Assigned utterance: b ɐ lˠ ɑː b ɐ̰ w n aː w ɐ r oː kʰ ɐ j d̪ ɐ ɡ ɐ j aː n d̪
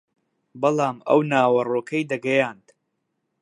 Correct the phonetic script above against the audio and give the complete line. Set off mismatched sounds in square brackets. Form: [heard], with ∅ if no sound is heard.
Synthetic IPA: b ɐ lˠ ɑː [m] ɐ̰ w n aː w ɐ r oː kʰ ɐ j d̪ ɐ ɡ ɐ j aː n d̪